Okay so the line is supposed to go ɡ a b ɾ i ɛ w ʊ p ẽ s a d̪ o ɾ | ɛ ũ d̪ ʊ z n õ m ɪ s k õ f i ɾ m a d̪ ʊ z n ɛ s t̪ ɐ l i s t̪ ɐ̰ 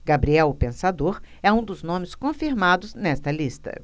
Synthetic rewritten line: ɡ a b ɾ i ɛ w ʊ p ẽ s a d̪ o ɾ | ɛ ũ d̪ ʊ z n õ m ɪ s k õ f i ɾ m a d̪ ʊ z n ɛ s t̪ ɐ l i s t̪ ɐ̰